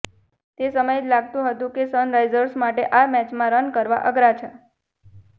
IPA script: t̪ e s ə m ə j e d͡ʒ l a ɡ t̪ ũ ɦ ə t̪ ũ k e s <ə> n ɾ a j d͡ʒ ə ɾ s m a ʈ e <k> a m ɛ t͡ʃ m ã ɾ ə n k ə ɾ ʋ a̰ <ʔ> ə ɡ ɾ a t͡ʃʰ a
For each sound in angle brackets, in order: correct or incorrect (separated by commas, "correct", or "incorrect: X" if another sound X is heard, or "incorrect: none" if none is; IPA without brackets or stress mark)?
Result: correct, incorrect: ʔ, correct